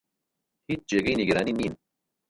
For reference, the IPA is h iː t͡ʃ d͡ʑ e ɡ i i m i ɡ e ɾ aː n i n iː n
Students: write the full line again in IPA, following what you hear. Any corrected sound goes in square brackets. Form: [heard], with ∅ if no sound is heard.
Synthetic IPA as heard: h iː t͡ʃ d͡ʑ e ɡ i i [n] i ɡ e ɾ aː n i n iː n